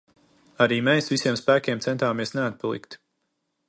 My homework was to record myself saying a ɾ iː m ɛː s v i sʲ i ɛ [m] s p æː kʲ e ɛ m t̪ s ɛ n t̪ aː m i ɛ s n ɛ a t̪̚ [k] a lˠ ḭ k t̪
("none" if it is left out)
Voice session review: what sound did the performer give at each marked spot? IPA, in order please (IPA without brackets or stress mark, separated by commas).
m, p